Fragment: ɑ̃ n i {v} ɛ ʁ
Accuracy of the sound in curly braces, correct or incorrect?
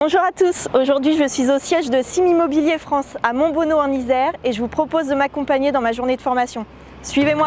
incorrect